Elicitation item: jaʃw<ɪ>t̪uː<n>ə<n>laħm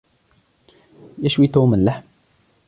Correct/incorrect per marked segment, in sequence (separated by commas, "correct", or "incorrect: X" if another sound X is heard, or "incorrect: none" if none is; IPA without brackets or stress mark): incorrect: i, incorrect: m, correct